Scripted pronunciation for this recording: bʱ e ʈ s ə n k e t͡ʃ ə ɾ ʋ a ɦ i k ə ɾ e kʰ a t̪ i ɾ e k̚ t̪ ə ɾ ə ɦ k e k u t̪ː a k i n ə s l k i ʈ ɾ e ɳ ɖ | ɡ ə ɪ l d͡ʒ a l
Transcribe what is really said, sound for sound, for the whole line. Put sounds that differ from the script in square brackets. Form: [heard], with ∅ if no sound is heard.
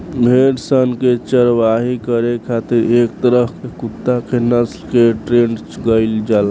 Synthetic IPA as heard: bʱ e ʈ s ə n k e t͡ʃ ə ɾ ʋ a ɦ i k ə ɾ e kʰ a t̪ i ɾ e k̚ t̪ ə ɾ ə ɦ k e k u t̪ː a k [e] n ə s l k [e] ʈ ɾ e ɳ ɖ | ɡ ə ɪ l d͡ʒ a l